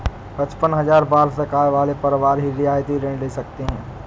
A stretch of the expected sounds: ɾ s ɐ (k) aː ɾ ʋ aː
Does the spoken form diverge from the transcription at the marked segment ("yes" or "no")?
no